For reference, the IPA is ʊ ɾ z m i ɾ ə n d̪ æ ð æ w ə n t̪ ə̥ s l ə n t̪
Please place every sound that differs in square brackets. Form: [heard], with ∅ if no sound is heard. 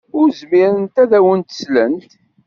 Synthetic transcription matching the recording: ʊ ɾ z m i ɾ ə n [t̪] æ ð æ w ə n t̪ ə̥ s l ə n t̪